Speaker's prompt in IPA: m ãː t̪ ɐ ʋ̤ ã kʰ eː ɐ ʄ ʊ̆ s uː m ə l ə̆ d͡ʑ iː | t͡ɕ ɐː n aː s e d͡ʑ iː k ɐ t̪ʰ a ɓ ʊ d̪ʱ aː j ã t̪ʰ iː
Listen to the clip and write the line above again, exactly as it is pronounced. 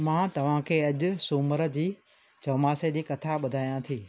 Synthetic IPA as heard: m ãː t̪ ɐ ʋ̤ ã kʰ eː ɐ ʄ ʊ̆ s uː m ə ɾ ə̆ d͡ʑ iː | t͡ɕ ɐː m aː s e d͡ʑ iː k ɐ t̪ʰ a ɓ ʊ d̪ʱ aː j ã t̪ʰ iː